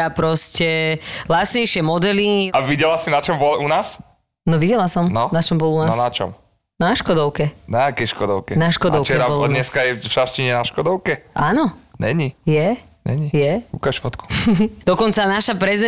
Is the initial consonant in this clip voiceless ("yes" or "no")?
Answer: yes